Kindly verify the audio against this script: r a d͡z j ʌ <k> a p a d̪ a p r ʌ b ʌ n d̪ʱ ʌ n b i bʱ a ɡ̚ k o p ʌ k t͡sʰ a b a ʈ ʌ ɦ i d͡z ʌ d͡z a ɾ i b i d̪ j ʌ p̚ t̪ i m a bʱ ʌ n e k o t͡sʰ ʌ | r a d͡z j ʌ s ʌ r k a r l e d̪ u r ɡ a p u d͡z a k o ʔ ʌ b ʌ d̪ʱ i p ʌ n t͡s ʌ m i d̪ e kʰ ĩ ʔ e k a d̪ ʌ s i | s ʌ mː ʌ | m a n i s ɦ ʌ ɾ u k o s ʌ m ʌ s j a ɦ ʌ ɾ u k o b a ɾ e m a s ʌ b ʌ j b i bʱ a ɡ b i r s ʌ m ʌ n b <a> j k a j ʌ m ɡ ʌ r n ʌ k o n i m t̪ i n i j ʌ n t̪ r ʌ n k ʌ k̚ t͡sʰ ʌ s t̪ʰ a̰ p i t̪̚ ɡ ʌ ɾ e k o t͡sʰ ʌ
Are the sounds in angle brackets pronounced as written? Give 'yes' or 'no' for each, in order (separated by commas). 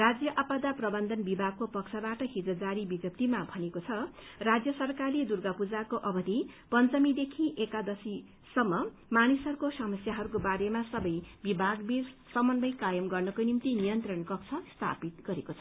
no, no